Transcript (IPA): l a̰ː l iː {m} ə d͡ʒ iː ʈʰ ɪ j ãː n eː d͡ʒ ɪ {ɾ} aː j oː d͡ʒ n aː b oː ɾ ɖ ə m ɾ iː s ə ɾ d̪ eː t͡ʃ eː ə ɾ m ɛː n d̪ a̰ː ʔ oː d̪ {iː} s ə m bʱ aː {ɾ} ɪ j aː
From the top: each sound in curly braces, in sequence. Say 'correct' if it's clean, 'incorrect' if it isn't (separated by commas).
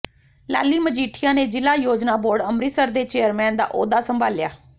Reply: correct, incorrect, incorrect, incorrect